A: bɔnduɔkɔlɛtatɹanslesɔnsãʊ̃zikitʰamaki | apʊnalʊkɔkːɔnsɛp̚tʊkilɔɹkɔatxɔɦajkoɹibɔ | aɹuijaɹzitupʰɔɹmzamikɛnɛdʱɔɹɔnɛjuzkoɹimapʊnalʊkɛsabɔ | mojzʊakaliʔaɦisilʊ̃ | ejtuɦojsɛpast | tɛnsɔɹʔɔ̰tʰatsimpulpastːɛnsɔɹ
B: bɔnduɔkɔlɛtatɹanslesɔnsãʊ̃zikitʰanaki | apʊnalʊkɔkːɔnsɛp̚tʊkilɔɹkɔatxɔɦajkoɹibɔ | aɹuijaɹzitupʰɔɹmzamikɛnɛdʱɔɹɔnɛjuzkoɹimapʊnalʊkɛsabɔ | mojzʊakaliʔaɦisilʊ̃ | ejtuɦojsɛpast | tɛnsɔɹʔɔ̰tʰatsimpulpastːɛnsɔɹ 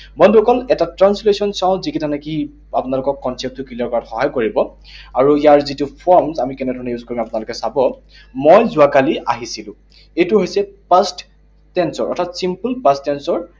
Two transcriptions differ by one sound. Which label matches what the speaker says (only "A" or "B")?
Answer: B